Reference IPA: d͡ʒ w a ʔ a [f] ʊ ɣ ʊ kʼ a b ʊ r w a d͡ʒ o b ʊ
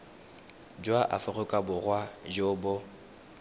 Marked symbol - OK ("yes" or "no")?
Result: yes